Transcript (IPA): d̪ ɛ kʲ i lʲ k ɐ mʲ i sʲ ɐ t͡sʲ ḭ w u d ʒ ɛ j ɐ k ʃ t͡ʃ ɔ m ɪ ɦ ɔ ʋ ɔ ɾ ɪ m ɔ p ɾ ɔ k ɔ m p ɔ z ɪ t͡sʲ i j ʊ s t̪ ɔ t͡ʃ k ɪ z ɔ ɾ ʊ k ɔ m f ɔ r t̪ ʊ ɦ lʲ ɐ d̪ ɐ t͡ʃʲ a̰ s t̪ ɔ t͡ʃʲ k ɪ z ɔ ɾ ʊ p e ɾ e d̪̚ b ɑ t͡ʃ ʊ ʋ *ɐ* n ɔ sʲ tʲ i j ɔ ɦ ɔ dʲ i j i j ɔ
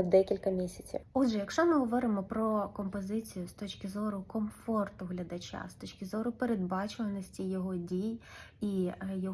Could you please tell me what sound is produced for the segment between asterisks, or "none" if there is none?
ɐ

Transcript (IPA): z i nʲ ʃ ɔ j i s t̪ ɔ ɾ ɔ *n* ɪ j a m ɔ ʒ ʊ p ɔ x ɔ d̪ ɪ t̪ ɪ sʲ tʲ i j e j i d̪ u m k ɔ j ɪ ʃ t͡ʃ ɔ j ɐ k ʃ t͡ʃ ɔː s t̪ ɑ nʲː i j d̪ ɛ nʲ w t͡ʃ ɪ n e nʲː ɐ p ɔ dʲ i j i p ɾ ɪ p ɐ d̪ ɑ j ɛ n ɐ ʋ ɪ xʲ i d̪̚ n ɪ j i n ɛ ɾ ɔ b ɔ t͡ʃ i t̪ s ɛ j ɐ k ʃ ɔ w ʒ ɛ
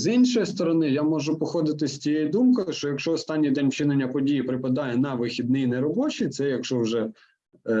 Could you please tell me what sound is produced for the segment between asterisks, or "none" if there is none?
n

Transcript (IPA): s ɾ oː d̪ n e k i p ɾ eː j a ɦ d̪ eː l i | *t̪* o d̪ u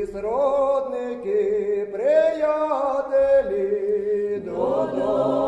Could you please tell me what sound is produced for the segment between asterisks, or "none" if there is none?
d̪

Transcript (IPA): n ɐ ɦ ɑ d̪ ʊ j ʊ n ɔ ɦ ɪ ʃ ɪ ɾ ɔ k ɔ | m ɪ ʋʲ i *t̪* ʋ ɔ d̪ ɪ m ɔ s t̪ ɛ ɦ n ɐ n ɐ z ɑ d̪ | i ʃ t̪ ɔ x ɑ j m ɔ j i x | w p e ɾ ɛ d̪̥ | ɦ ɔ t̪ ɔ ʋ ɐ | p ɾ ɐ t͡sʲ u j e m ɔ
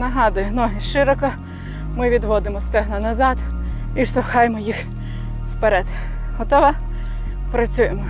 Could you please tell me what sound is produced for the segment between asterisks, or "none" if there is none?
d̪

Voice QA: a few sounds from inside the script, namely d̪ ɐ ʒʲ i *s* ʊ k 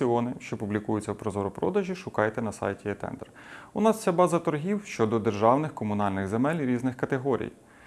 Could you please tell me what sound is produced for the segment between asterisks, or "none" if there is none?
ʃ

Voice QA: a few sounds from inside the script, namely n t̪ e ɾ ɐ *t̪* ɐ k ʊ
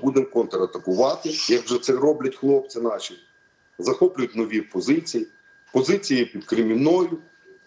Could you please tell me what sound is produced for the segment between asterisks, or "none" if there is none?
t̪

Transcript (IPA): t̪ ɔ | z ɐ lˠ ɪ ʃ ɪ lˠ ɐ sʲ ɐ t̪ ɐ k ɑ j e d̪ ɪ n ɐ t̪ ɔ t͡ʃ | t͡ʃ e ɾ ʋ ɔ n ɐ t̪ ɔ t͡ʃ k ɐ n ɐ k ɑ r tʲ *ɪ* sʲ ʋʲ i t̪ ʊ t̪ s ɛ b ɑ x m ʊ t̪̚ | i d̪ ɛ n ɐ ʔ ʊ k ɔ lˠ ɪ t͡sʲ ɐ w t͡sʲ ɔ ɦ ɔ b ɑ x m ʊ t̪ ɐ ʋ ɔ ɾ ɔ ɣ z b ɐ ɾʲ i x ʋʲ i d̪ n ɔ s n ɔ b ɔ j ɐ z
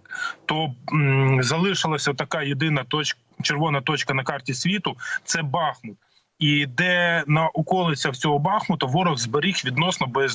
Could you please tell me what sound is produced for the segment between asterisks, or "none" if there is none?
i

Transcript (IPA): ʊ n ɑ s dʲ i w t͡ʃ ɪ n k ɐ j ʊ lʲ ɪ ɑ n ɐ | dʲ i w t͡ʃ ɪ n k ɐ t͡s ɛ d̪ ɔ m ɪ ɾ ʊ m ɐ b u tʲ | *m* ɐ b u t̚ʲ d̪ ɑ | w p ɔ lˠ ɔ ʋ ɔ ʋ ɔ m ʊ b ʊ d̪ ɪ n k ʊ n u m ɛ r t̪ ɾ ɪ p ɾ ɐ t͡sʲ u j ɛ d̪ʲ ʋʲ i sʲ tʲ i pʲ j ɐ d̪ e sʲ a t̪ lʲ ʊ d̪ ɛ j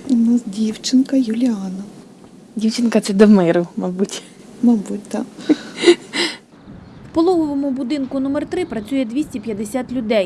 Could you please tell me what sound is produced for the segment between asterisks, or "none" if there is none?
m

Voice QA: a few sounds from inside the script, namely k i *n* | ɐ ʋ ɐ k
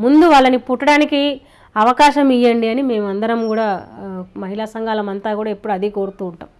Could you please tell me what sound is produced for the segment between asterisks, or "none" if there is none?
none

